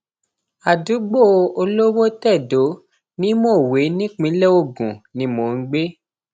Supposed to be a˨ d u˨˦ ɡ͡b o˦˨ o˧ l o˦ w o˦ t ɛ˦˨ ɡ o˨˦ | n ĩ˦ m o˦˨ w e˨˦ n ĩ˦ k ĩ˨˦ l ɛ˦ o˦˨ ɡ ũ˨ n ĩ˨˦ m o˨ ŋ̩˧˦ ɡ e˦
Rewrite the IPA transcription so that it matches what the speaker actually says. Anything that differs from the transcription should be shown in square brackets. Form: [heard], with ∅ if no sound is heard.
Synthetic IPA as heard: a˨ d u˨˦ ɡ͡b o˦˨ o˧ l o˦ w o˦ t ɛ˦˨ [d] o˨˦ | n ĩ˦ m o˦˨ w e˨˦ n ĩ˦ [k͡p] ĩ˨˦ l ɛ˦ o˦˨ ɡ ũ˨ n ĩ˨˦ m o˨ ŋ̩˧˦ [ɡ͡b] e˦